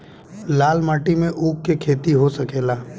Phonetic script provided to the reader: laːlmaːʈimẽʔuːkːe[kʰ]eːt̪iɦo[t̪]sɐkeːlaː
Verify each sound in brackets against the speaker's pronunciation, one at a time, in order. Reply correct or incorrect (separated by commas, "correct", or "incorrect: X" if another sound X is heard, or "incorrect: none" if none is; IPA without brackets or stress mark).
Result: correct, incorrect: none